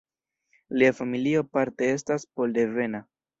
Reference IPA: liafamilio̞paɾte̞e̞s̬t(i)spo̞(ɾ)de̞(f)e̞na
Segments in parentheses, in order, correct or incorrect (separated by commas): incorrect, incorrect, incorrect